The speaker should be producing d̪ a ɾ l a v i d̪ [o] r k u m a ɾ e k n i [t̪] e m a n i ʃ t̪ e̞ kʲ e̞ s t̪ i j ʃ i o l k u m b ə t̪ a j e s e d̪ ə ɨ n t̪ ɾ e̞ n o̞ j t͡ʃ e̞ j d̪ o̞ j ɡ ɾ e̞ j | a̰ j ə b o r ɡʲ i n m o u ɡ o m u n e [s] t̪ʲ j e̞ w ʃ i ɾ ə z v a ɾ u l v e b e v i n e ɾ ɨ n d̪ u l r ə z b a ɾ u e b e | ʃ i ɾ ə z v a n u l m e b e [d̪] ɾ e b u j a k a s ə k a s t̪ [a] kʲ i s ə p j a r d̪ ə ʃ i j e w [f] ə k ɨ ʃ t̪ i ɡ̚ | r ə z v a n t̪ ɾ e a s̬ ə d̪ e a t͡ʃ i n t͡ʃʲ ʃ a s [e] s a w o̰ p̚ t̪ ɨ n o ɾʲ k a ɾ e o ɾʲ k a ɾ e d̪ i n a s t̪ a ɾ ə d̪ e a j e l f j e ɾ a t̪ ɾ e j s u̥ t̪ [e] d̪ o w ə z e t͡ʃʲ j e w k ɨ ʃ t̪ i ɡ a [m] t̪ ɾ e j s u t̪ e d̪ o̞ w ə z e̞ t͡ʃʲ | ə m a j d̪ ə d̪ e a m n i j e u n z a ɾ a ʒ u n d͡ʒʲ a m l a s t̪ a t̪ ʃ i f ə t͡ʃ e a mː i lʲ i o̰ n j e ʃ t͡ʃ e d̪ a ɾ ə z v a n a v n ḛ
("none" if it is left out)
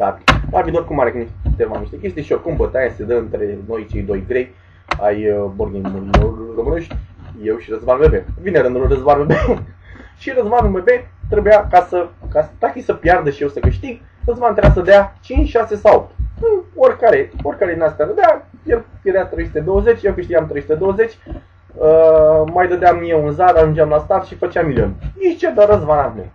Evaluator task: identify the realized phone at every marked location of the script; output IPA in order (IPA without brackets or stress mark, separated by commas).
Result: o, t̪, ʃ, t̪, a, s, e, e, m